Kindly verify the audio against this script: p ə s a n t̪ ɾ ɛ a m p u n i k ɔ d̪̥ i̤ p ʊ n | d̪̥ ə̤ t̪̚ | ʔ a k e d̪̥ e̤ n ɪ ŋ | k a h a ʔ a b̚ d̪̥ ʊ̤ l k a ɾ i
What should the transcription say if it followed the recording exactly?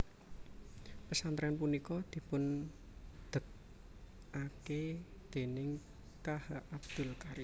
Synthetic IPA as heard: p ə s a n t̪ ɾ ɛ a n p u n i k ɔ d̪̥ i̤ p ʊ n | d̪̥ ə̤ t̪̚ | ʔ a k e d̪̥ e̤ n ɪ ŋ | k a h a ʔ a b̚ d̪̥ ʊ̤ l k a ɾ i